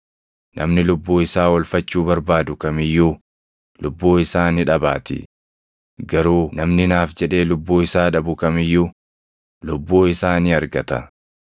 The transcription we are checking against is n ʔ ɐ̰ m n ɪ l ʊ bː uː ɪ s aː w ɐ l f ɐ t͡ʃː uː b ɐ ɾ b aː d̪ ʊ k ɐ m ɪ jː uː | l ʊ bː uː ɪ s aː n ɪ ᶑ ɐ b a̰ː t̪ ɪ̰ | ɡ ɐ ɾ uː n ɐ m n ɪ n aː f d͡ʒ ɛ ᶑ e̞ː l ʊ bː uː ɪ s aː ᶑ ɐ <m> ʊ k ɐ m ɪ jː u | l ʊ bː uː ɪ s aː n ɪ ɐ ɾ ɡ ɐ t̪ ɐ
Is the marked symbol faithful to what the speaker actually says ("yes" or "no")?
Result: no